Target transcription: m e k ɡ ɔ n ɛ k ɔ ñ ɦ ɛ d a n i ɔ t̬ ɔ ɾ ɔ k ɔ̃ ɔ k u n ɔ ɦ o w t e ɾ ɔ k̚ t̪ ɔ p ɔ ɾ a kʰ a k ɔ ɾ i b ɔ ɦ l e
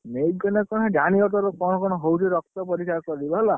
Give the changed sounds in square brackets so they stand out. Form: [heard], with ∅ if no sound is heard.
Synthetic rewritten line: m e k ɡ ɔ n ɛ k ɔ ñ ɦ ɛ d a n i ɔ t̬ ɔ ɾ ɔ k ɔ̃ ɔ k [ɔ] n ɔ ɦ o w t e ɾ ɔ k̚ t̪ ɔ p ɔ ɾ [i] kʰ a k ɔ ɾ i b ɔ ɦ l [a]